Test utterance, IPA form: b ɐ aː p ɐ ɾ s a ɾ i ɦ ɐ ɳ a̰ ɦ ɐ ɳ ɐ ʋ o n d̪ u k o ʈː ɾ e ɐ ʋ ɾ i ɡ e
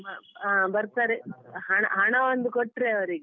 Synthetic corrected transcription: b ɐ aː b ɐ ɾ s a ɾ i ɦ ɐ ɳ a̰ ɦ ɐ ɳ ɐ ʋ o n d̪ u k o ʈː ɾ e ɐ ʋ ɾ i ɡ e